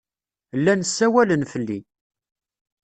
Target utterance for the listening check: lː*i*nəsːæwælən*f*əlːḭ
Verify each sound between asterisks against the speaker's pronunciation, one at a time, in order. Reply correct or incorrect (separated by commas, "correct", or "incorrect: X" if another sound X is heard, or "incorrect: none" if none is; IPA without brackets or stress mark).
incorrect: æ, correct